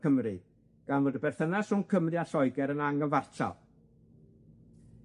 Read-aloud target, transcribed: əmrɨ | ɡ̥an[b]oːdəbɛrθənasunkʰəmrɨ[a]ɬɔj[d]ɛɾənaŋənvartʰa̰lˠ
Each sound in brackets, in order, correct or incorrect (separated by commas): incorrect, correct, incorrect